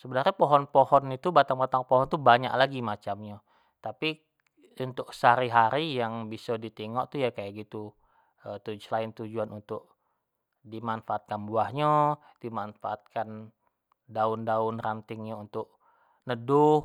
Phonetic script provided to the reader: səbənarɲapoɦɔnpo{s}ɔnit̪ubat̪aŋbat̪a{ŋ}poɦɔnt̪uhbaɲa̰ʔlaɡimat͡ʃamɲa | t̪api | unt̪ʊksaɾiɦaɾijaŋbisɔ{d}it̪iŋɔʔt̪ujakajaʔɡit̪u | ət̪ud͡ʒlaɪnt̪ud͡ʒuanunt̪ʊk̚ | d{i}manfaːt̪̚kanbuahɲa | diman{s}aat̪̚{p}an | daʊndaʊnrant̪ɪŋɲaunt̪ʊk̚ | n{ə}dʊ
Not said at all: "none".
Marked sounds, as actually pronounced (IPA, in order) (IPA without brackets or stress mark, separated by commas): h, ŋ, d, i, f, k, ə